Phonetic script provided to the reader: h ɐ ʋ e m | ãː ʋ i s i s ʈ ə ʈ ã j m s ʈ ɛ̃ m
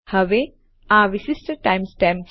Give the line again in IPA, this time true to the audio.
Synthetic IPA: h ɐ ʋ e | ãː ʋ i s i s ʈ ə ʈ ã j m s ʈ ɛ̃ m